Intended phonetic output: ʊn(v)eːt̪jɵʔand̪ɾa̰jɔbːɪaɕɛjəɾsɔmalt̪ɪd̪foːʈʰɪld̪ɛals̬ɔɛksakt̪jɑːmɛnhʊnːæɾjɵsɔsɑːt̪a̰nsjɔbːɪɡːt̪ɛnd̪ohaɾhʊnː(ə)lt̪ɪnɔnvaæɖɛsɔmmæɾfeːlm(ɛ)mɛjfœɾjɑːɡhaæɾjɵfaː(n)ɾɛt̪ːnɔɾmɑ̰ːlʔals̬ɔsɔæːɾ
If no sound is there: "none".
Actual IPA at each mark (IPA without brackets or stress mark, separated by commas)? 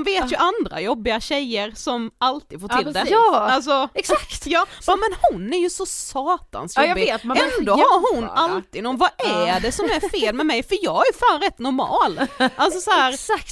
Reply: v, a, ɛ, n